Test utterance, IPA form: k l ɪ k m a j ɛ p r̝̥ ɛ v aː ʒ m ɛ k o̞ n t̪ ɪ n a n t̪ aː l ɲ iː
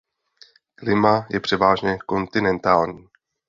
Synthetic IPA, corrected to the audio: k l ɪ m a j ɛ p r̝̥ ɛ v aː ʒ ɲ ɛ k o̞ n t̪ ɪ n ɛ n t̪ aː l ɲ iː